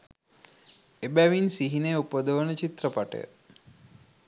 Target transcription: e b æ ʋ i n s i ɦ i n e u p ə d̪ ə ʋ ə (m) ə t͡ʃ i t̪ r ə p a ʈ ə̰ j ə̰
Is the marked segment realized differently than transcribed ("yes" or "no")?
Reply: yes